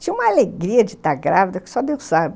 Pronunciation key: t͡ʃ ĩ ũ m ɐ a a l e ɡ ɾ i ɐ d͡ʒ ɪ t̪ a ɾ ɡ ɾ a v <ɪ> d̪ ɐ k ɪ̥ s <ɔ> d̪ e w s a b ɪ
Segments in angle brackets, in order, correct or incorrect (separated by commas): incorrect, correct